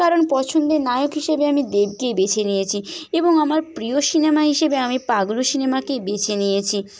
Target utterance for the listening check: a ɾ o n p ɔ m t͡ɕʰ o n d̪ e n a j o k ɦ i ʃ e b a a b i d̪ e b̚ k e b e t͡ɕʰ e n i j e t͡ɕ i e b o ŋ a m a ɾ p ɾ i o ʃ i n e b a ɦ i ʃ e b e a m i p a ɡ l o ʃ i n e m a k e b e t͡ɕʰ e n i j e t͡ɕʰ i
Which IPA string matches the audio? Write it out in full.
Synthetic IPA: a ɾ o n p ɔ t͡ɕʰ o n d̪ e n a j o k ɦ i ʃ e b e a m i d̪ e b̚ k e b e t͡ɕʰ e n i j e t͡ɕʰ i e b o ŋ a m a ɾ p ɾ i o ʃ i n e m a ɦ i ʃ e b e a m i p a ɡ l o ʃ i n e m a k e b e t͡ɕʰ e n i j e t͡ɕʰ i

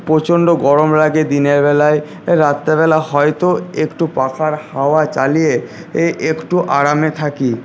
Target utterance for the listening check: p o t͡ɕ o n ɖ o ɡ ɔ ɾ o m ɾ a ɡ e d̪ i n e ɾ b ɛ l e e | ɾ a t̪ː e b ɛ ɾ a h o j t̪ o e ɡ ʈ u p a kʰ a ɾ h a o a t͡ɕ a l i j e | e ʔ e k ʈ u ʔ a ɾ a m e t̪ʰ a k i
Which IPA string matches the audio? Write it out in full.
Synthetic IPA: p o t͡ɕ o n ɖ o ɡ ɔ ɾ o m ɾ a ɡ e d̪ i n e ɾ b ɛ l a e | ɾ a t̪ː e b ɛ l a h ɔ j t̪ o e k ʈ u p a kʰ a ɾ h a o a t͡ɕ a l i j e | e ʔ e k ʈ u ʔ a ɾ a m e t̪ʰ a k i

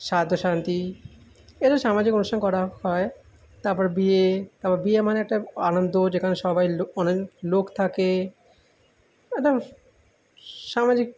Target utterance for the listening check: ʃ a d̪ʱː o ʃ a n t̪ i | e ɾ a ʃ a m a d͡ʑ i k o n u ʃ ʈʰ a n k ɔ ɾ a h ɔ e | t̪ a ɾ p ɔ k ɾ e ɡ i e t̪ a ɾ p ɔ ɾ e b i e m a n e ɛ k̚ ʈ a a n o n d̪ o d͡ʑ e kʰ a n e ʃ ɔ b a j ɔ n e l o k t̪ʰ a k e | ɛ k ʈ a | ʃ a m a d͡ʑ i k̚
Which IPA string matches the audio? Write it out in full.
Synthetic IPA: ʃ a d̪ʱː o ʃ a n t̪ i | e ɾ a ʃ a m a d͡ʑ i k o n u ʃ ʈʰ a n k ɔ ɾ a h ɔ e | t̪ a ɾ p ɔ ɾ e b i e t̪ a ɾ p ɔ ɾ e b i e m a n e ɛ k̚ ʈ a a n o n d̪ o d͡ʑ e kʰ a n e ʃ ɔ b a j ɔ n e l o k t̪ʰ a k e | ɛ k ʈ a | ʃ a m a d͡ʑ i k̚

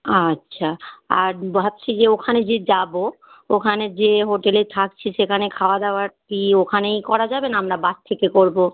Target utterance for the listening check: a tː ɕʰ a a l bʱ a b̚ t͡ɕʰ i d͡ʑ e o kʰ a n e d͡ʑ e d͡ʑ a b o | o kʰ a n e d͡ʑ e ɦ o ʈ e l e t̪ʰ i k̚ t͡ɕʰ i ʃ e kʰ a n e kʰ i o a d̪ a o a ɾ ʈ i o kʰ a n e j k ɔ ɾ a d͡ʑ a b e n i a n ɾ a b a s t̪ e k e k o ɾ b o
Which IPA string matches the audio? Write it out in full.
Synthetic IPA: a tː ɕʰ a a ɾ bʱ a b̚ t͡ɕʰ i d͡ʑ e o kʰ a n e d͡ʑ e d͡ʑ a b o | o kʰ a n e d͡ʑ e ɦ o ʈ e l e t̪ʰ a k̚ t͡ɕʰ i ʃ e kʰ a n e kʰ a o a d̪ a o a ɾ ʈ i o kʰ a n e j k ɔ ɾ a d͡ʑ a b e n a a m ɾ a b a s t̪ʰ e k e k o ɾ b o

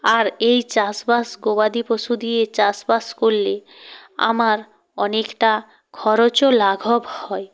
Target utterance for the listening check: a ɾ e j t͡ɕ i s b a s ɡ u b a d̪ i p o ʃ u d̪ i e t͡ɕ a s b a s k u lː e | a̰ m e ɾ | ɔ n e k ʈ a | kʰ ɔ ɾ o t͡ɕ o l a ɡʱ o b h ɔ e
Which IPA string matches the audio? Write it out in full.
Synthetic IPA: a ɾ e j t͡ɕ a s b a s ɡ o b a d̪ i p o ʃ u d̪ i e t͡ɕ a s b a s k o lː e | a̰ m a ɾ | ɔ n e k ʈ a | kʰ ɔ ɾ o t͡ɕ o l a ɡʱ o b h ɔ e

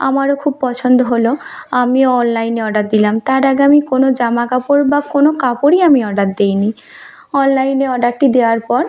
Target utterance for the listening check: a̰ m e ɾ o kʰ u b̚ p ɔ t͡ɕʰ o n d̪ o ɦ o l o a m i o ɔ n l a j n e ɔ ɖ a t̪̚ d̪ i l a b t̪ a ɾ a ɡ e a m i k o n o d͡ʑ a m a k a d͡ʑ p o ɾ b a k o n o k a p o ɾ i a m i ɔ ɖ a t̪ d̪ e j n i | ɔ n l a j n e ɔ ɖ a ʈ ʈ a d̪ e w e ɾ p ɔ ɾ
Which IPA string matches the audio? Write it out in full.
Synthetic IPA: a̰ m a ɾ o kʰ u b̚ p ɔ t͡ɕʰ o n d̪ o ɦ o l o a m i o ɔ n l a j n e ɔ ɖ a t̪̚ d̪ i l a m t̪ a ɾ a ɡ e a m i k o n o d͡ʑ a m a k a p o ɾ b a k o n o k a p o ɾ i a m i ɔ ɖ a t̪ d̪ e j n i | ɔ n l a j n e ɔ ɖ a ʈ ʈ i d̪ e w a ɾ p ɔ ɾ

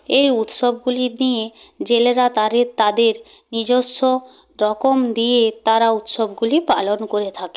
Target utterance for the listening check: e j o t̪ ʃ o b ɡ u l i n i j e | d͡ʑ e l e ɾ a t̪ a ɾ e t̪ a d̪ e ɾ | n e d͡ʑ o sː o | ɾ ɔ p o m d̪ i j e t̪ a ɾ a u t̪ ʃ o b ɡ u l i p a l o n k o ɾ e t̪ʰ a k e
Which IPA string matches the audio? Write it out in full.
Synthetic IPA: e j u t̪ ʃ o b ɡ u l i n i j e | d͡ʑ e l e ɾ a t̪ a ɾ e t̪ a d̪ e ɾ | n i d͡ʑ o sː o | ɾ ɔ k o m d̪ i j e t̪ a ɾ a u t̪ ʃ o b ɡ u l i p a l o n k o ɾ e t̪ʰ a k e

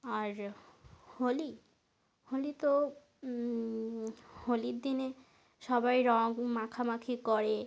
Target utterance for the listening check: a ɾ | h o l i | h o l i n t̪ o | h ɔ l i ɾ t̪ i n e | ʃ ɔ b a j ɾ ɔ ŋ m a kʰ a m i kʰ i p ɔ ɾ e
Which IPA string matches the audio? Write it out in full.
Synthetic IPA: a ɾ | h o l i | h o l i t̪ o | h o l i ɾ d̪ i n e | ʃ ɔ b a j ɾ ɔ ŋ m a kʰ a m a kʰ i k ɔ ɾ e

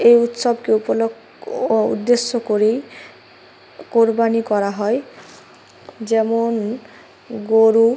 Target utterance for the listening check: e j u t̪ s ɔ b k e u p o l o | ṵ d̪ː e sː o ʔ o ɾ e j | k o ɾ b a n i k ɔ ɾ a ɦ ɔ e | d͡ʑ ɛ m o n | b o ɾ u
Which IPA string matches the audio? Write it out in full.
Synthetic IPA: e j u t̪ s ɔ b k e u p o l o | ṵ d̪ː e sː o k o ɾ e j | k o ɾ b a n i k ɔ ɾ a ɦ ɔ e | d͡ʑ ɛ m o n | ɡ o ɾ u

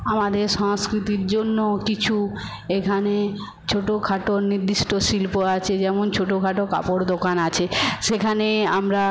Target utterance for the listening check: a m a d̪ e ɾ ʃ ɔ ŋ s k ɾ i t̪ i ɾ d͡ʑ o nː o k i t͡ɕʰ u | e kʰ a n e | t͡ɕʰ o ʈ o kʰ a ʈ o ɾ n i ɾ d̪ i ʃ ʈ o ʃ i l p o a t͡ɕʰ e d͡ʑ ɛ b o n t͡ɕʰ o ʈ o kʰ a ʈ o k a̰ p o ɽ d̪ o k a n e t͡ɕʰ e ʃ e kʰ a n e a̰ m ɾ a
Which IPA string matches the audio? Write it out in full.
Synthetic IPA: a m a d̪ e ɾ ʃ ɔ ŋ s k ɾ i t̪ i ɾ d͡ʑ o nː o k i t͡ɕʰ u | e kʰ a n e | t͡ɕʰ o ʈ o kʰ a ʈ o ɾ n i ɾ d̪ i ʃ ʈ o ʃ i l p o a t͡ɕʰ e d͡ʑ ɛ m o n t͡ɕʰ o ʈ o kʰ a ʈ o k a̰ p o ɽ d̪ o k a n a t͡ɕʰ e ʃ e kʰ a n e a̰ m ɾ a

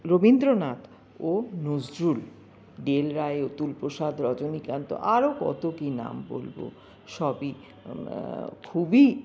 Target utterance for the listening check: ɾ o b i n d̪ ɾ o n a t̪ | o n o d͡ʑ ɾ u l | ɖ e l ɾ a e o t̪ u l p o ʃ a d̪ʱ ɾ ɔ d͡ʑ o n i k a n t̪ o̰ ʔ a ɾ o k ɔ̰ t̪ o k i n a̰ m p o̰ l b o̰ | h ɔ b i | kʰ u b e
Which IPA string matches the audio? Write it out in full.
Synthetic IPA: ɾ o b i n d̪ ɾ o n a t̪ | o n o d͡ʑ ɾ u l | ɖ e l ɾ a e o t̪ u l p o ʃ a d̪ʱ ɾ ɔ d͡ʑ o n i k a n t̪ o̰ ʔ a ɾ o k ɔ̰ t̪ o k i n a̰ m b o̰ l b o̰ | ʃ ɔ b i | kʰ u b i

